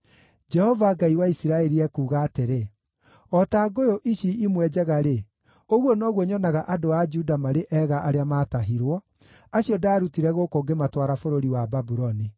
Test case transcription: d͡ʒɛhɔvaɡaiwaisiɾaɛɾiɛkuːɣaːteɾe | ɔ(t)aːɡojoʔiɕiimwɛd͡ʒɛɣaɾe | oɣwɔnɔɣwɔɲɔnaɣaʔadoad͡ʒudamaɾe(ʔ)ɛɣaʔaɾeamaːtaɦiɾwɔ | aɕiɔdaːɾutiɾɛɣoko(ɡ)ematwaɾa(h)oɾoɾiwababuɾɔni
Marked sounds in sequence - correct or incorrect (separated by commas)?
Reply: correct, correct, correct, incorrect